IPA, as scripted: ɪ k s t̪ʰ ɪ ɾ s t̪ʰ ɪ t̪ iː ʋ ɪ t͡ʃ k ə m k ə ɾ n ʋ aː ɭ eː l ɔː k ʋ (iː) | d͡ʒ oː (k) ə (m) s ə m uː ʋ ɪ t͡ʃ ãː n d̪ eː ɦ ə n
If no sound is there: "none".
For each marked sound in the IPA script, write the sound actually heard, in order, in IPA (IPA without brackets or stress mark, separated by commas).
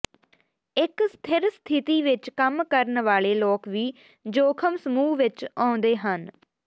iː, kʰ, m